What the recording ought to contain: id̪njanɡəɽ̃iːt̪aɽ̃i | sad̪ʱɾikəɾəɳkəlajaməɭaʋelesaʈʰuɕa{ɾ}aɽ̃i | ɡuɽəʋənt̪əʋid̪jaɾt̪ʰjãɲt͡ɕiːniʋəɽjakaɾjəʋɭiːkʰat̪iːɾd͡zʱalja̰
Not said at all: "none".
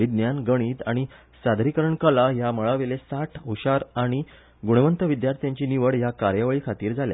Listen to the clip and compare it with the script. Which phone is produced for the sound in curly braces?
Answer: ɾ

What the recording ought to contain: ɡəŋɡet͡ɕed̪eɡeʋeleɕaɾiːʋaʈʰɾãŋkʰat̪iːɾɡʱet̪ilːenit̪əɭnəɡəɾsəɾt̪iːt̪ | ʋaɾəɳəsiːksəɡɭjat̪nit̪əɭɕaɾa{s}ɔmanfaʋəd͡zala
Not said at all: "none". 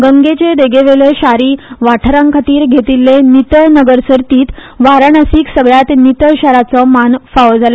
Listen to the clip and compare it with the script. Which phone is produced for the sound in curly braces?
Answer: t͡s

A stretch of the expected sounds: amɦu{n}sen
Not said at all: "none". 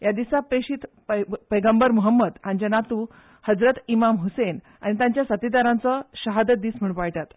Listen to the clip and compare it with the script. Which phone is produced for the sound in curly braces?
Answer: none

